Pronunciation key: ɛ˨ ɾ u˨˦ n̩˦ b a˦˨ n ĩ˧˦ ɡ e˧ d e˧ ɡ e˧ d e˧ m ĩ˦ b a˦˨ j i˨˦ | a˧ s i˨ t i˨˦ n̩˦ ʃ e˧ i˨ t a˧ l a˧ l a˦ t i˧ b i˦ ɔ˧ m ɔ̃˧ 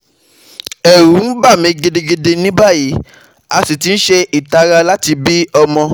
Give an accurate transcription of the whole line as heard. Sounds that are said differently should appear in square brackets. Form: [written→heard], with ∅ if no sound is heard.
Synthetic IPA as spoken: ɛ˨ ɾ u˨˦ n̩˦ b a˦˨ [n→m] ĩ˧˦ ɡ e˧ d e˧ ɡ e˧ d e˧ [m→n] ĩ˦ b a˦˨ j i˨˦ | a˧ s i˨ t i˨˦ n̩˦ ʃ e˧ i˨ t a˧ [l→ɾ] a˧ l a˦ t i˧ b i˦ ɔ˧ m ɔ̃˧